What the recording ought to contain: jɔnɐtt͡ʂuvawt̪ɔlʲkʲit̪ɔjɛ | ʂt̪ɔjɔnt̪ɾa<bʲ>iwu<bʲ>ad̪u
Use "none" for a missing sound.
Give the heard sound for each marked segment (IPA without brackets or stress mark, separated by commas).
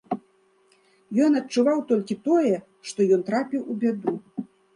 pʲ, bʲ